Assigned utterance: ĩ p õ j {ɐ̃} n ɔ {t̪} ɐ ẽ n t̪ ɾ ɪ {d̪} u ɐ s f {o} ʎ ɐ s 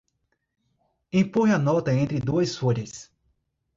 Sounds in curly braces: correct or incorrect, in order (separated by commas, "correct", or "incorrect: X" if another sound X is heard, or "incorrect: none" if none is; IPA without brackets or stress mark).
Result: incorrect: ɐ, correct, correct, correct